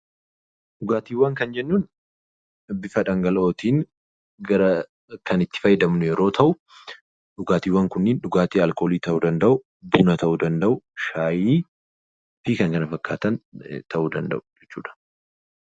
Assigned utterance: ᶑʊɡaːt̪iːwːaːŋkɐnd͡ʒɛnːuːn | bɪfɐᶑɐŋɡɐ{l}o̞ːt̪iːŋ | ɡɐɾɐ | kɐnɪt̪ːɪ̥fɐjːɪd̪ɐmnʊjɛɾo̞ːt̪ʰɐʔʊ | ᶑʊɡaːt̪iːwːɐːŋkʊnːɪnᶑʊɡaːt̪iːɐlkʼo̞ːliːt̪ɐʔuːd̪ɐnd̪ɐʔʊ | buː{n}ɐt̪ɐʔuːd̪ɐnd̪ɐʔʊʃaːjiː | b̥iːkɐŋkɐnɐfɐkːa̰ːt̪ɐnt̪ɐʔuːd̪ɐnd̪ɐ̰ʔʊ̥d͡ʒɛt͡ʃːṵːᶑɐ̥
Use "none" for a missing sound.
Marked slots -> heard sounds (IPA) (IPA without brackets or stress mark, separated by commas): l, n